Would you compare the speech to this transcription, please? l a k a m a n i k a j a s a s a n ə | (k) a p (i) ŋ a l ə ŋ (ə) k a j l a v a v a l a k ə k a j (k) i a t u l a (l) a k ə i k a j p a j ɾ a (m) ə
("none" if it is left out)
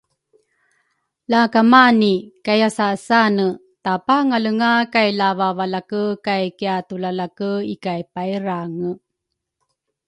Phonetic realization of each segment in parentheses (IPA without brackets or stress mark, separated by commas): t, a, a, k, l, ŋ